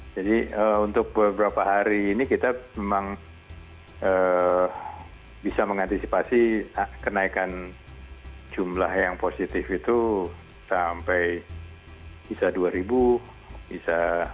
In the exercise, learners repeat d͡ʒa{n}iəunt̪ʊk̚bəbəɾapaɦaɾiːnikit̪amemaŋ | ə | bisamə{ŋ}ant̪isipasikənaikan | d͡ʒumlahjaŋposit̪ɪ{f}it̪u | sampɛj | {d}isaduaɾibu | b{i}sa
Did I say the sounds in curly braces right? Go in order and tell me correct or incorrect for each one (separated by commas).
incorrect, correct, correct, incorrect, correct